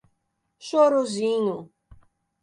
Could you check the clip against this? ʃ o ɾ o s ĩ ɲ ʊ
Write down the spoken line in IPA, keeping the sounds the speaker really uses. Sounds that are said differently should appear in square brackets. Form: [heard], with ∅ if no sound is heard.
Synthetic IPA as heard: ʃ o ɾ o [z] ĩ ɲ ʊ